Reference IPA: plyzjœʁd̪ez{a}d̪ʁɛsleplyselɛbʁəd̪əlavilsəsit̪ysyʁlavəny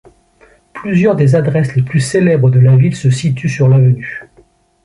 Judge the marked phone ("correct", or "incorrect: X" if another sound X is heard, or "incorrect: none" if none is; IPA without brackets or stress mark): correct